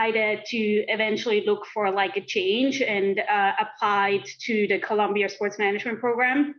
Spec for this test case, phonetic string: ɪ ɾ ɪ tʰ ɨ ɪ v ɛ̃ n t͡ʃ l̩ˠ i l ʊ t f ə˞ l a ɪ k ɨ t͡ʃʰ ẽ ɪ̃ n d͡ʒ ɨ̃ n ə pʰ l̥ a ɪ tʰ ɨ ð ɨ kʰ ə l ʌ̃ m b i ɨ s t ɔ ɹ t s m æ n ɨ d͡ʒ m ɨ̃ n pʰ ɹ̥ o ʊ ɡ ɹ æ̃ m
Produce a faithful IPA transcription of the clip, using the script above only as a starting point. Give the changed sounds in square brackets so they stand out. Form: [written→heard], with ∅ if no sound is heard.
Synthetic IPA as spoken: ɪ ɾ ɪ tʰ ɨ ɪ v ɛ̃ n t͡ʃ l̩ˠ i l ʊ [t→k] f ə˞ l a ɪ k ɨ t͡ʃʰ ẽ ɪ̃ n d͡ʒ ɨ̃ n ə pʰ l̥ a ɪ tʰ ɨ ð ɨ kʰ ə l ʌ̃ m b i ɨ s [t→p] ɔ ɹ t s m æ n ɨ d͡ʒ m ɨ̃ n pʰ ɹ̥ o ʊ ɡ ɹ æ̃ m

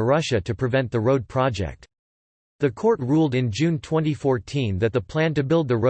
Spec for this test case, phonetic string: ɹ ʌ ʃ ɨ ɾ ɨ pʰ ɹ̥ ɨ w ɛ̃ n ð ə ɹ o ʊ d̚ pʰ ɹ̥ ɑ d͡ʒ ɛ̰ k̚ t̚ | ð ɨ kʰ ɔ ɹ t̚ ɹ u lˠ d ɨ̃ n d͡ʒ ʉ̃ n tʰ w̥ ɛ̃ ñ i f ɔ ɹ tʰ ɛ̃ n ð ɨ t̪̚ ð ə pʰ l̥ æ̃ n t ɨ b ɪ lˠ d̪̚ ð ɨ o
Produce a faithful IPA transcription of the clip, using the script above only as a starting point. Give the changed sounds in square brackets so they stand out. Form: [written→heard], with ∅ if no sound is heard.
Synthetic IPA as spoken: ɹ ʌ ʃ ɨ ɾ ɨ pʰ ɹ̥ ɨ [w→v] ɛ̃ n ð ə ɹ o ʊ d̚ pʰ ɹ̥ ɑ d͡ʒ ɛ̰ k̚ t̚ | ð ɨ kʰ ɔ ɹ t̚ ɹ u lˠ d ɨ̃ n d͡ʒ ʉ̃ n tʰ w̥ ɛ̃ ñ i f ɔ ɹ tʰ [ɛ̃→ĩ] n ð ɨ t̪̚ ð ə pʰ l̥ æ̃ n t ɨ b ɪ lˠ d̪̚ ð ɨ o

